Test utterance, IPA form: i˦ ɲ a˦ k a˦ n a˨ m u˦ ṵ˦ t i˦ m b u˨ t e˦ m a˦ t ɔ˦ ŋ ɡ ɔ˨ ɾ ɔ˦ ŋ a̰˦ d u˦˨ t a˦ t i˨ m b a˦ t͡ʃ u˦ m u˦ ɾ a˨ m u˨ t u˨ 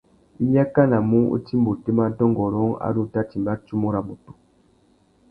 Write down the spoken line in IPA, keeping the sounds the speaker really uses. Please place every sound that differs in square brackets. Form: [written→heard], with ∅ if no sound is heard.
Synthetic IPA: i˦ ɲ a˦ k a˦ n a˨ m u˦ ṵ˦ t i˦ m b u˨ t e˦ m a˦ t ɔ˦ ŋ ɡ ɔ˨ ɾ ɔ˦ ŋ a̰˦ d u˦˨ t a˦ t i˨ m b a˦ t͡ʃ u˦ m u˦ ɾ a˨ m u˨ t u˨